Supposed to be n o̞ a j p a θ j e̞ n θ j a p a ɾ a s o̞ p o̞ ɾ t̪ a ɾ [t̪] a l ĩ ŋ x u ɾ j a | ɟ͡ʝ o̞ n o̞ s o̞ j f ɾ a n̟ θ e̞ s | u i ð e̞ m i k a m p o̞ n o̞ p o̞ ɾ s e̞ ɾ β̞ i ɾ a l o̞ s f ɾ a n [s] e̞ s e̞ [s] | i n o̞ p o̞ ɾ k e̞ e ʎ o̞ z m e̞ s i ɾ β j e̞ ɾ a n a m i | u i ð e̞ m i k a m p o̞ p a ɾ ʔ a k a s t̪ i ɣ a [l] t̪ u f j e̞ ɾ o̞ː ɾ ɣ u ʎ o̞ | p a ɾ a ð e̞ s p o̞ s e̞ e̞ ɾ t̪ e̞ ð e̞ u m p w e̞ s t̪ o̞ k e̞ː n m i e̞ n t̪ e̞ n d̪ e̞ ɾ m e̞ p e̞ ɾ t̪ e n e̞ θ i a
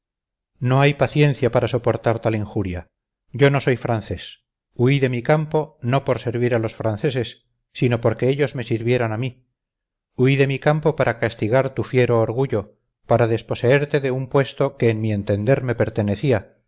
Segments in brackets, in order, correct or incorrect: correct, incorrect, incorrect, incorrect

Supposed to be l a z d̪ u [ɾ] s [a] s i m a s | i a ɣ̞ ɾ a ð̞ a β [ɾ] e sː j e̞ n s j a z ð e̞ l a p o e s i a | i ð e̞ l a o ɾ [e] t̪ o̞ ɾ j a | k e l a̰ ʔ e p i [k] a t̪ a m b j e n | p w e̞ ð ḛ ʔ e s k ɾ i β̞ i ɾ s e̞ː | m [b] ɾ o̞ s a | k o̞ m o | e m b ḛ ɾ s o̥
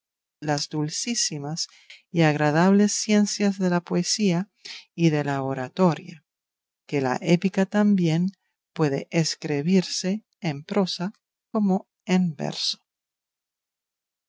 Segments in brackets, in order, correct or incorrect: incorrect, incorrect, incorrect, incorrect, correct, incorrect

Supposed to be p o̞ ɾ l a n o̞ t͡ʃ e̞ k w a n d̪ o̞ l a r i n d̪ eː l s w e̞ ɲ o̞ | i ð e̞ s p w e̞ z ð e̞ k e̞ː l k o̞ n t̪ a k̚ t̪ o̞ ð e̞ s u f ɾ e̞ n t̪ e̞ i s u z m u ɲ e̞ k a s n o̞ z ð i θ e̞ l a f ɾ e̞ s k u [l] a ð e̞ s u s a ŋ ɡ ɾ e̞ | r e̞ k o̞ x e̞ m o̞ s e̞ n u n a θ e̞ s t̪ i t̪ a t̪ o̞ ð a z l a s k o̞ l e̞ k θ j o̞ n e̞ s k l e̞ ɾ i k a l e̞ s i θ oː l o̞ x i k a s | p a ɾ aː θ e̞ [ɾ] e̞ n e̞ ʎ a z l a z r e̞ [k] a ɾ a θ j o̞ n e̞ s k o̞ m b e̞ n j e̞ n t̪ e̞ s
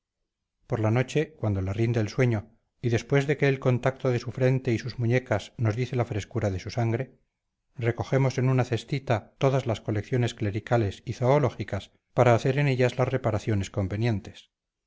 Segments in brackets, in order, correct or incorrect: incorrect, correct, incorrect

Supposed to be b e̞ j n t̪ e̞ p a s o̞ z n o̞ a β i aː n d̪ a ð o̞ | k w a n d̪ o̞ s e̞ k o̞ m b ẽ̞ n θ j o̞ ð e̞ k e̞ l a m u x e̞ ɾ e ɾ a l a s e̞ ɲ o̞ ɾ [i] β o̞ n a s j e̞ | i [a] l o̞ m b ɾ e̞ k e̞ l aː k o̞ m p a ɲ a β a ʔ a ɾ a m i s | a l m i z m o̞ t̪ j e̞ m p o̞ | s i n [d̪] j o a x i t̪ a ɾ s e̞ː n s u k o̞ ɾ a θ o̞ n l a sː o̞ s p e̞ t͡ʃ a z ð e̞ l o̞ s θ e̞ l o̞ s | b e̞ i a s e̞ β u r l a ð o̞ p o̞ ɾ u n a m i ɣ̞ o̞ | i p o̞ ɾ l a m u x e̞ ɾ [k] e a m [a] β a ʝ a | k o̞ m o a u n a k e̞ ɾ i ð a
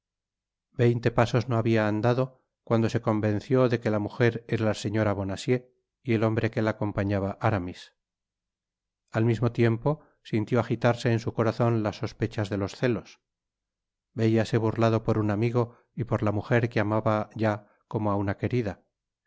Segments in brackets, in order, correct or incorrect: incorrect, incorrect, incorrect, correct, correct

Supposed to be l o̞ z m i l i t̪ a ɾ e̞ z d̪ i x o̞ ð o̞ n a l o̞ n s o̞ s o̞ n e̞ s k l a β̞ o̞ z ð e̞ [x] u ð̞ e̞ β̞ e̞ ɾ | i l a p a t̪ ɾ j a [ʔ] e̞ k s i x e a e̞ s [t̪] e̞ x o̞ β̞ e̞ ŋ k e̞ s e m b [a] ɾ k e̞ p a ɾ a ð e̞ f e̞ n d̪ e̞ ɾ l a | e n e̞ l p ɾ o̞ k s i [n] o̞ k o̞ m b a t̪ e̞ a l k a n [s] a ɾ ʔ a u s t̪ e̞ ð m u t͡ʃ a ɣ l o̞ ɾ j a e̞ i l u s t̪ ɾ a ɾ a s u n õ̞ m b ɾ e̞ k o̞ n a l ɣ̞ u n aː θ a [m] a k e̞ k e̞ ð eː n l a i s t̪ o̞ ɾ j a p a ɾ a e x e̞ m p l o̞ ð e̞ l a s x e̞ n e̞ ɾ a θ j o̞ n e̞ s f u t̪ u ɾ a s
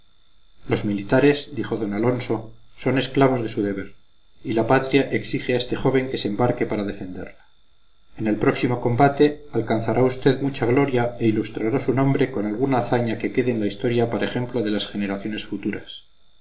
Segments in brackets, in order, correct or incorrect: incorrect, correct, correct, correct, incorrect, incorrect, incorrect

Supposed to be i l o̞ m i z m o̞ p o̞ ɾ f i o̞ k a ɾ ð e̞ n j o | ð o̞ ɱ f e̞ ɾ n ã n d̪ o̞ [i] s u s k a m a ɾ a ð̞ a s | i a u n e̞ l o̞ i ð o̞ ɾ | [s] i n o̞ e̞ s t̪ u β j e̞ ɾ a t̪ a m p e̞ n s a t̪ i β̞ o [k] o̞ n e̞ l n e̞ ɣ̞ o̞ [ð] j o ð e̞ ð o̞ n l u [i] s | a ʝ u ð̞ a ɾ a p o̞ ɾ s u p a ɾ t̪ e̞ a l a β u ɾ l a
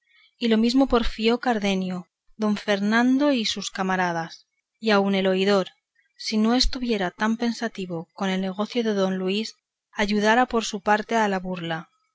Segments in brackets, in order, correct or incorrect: correct, correct, correct, incorrect, correct

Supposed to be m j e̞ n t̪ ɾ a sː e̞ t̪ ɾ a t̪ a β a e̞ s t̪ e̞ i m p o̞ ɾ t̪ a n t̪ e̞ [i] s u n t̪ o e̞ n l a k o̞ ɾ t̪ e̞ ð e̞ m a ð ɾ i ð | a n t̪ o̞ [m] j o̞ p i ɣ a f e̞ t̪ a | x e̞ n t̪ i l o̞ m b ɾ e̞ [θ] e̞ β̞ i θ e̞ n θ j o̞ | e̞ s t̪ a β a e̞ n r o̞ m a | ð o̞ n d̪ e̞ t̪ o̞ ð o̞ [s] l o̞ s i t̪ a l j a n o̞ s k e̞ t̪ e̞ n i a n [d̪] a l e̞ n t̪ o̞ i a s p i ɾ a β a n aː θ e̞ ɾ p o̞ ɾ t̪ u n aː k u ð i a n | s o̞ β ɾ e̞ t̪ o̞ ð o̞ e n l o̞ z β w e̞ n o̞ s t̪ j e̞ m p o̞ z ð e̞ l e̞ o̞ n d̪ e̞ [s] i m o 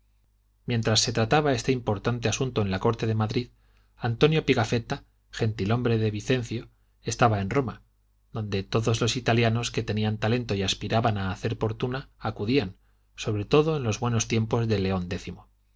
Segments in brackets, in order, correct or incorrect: incorrect, incorrect, incorrect, incorrect, incorrect, incorrect

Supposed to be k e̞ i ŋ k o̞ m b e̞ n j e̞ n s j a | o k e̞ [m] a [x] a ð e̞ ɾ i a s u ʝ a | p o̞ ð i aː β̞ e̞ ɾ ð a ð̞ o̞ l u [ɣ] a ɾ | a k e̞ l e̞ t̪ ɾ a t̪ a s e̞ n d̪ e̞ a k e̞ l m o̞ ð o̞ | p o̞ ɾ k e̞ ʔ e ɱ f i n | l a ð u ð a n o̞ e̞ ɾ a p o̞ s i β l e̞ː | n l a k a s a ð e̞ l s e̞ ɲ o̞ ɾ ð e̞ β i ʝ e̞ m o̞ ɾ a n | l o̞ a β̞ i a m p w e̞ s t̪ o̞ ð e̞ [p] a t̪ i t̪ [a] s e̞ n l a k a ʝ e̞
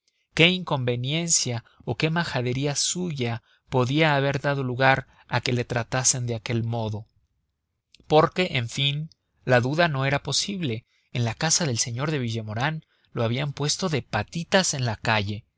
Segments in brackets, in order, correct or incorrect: correct, correct, correct, correct, correct

